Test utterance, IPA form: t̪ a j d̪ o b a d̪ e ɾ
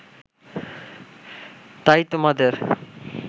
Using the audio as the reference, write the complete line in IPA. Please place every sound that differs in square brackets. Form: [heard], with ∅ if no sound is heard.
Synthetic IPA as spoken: t̪ a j [t̪] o [m] a d̪ e ɾ